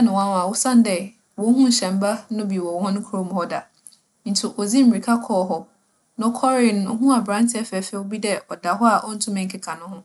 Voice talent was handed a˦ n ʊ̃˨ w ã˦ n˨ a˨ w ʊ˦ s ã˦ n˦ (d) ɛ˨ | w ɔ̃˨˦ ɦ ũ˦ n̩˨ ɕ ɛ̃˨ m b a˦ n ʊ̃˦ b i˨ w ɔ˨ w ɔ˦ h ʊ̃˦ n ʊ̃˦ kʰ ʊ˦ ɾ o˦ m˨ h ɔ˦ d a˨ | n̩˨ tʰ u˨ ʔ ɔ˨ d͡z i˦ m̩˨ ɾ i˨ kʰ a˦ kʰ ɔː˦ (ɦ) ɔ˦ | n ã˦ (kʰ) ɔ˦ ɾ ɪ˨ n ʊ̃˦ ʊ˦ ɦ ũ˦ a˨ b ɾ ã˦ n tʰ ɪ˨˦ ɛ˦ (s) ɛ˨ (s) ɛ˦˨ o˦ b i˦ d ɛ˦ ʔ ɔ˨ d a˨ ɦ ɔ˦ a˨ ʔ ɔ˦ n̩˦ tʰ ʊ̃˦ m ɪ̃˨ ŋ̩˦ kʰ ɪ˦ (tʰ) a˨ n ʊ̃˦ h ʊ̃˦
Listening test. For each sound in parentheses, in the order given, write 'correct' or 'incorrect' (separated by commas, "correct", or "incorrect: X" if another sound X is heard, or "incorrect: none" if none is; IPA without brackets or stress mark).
correct, correct, correct, incorrect: f, incorrect: f, incorrect: kʰ